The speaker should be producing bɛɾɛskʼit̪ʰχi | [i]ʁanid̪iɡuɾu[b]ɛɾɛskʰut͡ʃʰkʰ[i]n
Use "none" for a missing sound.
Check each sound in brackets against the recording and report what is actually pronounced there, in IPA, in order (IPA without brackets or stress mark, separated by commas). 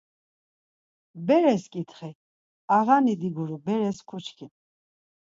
a, b, i